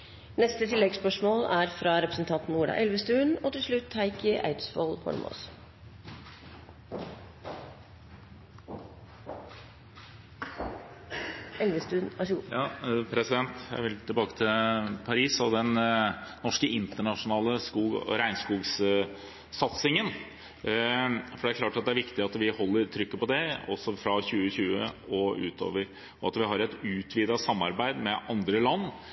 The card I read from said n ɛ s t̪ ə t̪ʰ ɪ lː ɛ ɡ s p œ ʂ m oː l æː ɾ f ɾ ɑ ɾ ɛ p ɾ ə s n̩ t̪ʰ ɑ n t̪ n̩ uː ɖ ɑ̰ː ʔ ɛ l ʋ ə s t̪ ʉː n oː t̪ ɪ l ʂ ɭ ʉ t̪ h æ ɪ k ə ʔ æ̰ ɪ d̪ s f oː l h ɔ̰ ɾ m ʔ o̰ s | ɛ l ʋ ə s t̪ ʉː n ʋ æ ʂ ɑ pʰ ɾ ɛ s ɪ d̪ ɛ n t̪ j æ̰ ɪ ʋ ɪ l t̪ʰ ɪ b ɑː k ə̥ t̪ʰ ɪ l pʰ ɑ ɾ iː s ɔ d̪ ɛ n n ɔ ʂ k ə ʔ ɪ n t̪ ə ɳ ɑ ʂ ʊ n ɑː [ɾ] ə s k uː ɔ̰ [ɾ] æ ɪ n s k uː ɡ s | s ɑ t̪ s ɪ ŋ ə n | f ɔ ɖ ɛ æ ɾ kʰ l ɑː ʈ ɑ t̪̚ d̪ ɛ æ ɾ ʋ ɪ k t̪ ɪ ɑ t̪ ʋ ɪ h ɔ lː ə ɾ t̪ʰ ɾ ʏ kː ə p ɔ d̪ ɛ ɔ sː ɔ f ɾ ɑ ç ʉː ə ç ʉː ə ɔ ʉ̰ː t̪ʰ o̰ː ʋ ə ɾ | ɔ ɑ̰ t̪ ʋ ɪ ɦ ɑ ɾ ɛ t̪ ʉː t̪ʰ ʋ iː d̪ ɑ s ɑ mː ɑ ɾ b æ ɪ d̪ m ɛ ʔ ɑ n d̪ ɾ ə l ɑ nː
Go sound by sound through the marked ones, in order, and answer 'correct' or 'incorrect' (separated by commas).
incorrect, correct